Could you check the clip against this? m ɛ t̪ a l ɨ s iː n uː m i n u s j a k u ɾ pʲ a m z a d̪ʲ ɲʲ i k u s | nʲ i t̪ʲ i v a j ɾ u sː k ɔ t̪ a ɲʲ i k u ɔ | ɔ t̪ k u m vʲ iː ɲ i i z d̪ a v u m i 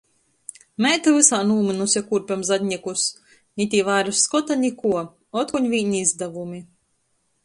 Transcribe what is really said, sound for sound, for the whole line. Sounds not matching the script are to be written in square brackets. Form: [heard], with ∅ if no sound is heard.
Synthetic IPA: m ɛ t̪ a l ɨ s [aː] n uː m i n u s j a k u ɾ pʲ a m z a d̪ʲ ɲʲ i k u s | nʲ i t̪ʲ i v a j ɾ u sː k ɔ t̪ a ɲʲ i k u ɔ | ɔ t̪ k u [ɲ] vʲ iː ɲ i i z d̪ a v u m i